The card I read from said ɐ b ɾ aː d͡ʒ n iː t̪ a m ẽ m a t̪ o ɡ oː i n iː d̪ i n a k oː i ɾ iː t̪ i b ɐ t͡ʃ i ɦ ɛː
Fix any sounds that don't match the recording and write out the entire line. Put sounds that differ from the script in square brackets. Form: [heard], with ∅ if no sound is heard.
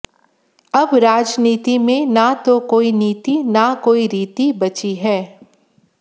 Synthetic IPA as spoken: ɐ b ɾ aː d͡ʒ n iː t̪ [i] m ẽ [n] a t̪ o [k] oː i n iː [t̪] i n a k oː i ɾ iː t̪ i b ɐ t͡ʃ i ɦ ɛː